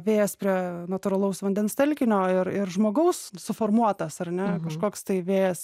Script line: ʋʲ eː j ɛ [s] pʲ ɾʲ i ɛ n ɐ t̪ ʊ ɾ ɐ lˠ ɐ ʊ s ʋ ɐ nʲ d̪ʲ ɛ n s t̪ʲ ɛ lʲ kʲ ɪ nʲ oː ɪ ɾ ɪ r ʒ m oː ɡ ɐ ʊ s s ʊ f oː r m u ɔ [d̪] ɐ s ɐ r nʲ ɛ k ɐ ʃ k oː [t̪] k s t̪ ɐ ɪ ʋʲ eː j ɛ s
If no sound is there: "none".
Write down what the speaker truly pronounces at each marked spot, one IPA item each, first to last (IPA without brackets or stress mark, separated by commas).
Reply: s, t̪, none